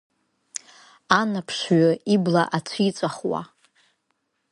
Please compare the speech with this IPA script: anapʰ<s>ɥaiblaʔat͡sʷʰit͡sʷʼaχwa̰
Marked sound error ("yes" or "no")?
yes